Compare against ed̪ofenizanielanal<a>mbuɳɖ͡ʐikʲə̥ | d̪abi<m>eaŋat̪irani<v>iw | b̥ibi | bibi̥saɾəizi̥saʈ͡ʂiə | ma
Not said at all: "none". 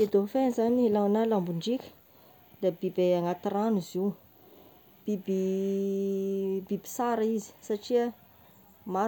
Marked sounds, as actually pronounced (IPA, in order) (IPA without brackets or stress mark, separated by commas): a, b, z